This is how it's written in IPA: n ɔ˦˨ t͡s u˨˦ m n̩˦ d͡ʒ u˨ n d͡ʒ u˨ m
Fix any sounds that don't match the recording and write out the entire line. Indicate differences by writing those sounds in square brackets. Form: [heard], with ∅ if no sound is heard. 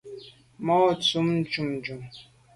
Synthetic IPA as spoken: [m] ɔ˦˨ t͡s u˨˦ m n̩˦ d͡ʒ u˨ [m] d͡ʒ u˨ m